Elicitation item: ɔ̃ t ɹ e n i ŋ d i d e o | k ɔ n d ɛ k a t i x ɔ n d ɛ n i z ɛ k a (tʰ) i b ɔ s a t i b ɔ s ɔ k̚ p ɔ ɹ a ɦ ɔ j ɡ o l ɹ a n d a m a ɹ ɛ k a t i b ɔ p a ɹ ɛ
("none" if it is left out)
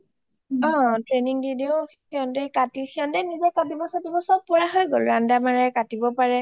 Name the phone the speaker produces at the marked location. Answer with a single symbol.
t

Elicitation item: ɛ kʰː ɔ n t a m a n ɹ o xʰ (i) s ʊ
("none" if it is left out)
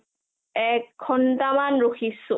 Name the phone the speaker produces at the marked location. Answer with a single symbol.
i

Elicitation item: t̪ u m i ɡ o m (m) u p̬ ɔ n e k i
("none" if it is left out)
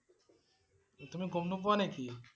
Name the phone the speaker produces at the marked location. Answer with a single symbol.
n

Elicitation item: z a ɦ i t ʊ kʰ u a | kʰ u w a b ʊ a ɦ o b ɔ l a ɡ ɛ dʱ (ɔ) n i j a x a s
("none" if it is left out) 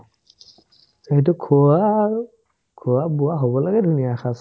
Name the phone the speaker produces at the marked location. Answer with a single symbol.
u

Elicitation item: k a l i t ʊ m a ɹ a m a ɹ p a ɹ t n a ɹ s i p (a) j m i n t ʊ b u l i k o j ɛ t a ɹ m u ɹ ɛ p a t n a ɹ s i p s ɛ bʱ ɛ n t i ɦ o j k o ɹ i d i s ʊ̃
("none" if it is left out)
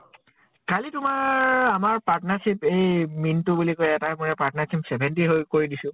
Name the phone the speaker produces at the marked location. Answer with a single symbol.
e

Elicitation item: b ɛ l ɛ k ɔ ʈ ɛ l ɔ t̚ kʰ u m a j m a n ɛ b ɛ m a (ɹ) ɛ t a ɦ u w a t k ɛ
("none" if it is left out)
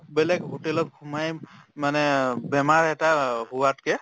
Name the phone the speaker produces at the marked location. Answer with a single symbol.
ɹ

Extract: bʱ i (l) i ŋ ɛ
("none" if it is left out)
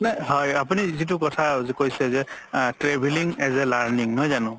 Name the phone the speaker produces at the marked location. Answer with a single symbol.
l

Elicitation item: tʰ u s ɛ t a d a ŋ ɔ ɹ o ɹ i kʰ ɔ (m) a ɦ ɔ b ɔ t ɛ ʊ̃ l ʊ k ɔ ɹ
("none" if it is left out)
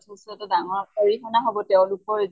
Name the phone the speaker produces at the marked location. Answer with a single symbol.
n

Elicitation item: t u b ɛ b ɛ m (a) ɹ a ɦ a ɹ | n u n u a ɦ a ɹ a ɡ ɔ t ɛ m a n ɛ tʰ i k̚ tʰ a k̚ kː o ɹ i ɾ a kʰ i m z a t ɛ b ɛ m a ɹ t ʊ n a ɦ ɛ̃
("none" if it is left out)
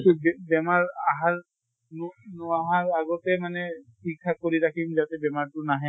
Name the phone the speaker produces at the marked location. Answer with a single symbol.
a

